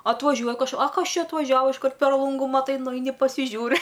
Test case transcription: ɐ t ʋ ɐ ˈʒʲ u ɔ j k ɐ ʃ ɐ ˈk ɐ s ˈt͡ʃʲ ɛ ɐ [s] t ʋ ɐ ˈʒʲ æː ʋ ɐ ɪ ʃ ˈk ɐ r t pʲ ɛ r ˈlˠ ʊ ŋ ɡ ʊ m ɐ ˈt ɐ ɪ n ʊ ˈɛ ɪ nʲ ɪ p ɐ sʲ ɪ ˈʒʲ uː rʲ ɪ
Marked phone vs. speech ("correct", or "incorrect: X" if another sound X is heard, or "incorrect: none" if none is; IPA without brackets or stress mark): incorrect: none